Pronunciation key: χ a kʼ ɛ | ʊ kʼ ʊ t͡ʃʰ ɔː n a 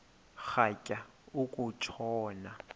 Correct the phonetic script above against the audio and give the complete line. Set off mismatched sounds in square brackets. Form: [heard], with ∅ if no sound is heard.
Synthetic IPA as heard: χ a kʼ [a] | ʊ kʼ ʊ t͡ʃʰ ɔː n a